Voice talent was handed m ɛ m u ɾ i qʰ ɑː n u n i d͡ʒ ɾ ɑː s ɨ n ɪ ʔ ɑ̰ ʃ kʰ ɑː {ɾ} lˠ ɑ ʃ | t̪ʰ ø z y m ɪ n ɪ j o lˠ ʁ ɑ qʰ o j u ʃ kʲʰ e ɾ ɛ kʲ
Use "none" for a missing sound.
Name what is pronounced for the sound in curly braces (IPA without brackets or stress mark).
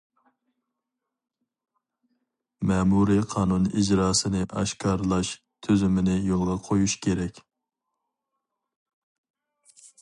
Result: ɾ